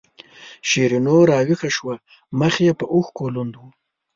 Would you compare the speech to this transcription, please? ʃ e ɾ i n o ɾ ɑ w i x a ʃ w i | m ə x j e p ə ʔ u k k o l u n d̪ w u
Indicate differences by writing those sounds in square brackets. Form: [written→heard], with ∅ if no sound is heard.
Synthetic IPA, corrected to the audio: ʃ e ɾ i n o ɾ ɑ w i x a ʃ w [i→a] | m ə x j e p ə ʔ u [k→x] k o l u n d̪ w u